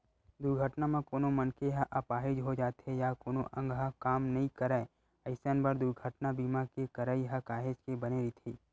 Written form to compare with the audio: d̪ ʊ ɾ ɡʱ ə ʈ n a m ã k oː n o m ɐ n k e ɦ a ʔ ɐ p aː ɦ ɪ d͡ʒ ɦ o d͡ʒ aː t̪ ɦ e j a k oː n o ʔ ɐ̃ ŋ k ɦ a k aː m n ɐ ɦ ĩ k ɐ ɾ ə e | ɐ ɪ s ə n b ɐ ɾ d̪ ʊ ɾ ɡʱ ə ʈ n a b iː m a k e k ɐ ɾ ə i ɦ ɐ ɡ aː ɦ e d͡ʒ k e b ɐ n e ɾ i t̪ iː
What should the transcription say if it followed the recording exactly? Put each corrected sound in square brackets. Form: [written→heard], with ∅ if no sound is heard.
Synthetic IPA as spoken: d̪ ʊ ɾ ɡʱ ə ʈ n a m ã k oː n o m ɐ n k e ɦ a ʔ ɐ p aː ɦ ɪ d͡ʒ ɦ o d͡ʒ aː t̪ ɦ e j a k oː n o ʔ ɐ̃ ŋ [k→ɡ] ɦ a k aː m n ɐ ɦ ĩ k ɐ ɾ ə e | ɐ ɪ s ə n b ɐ ɾ d̪ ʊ ɾ ɡʱ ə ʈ n a b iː m a k e k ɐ ɾ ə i ɦ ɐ [ɡ→k] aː ɦ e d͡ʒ k e b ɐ n e ɾ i [t̪→t̪ʰ] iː